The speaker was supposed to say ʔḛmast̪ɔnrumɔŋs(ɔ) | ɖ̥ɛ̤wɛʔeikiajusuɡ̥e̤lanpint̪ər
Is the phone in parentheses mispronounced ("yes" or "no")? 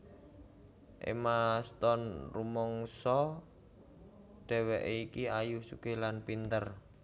no